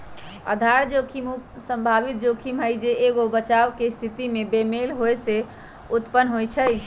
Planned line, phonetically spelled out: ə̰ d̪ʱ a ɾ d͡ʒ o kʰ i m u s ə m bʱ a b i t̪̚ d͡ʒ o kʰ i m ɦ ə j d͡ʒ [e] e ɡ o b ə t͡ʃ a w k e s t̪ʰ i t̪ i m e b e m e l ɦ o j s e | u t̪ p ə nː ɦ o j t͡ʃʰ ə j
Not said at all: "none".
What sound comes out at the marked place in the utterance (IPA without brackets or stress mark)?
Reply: e